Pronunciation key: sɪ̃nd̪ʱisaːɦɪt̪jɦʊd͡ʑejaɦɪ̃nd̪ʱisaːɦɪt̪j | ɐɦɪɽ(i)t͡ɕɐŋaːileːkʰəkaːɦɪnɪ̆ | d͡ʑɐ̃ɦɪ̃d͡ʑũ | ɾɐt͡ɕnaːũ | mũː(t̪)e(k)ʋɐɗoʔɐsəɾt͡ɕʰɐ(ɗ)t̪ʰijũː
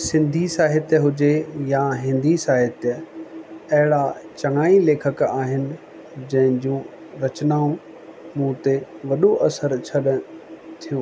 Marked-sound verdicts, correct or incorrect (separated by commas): incorrect, correct, incorrect, correct